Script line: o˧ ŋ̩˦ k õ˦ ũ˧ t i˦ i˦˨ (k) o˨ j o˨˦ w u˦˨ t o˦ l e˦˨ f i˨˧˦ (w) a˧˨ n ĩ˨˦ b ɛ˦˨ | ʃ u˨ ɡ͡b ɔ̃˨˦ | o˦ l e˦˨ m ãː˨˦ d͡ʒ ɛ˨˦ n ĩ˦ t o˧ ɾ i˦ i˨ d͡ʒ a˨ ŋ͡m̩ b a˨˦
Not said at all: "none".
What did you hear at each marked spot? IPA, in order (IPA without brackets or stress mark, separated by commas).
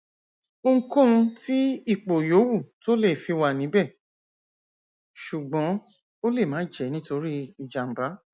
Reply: k͡p, w